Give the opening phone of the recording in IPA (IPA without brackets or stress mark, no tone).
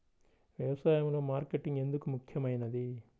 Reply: ʋ